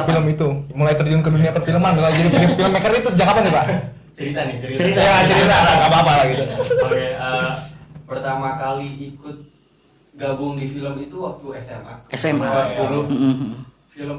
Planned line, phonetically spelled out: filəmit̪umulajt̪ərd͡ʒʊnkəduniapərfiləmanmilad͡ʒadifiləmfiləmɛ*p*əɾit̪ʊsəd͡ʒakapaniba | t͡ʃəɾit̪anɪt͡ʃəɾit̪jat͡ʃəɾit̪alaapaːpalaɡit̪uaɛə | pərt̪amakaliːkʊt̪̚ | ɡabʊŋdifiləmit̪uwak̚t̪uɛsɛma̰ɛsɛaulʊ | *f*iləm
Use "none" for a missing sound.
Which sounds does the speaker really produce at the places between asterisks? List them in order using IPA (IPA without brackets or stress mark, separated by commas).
k, f